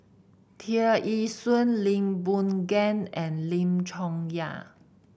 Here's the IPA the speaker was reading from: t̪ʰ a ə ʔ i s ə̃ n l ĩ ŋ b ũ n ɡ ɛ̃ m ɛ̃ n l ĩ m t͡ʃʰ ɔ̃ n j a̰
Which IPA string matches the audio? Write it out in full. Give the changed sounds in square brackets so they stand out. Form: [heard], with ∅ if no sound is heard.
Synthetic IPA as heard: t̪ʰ [i] ə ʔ i s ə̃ n l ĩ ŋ b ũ n ɡ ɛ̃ [n] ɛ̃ n l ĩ m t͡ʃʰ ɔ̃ [ŋ] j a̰